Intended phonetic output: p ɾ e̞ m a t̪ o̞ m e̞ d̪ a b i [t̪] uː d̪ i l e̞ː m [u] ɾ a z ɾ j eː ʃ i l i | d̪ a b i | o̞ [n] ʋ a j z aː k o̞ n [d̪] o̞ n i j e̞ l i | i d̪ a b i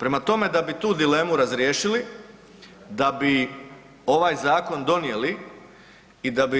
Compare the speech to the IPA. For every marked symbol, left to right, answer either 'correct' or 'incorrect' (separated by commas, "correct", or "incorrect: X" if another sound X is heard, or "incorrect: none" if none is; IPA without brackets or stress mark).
correct, correct, incorrect: none, correct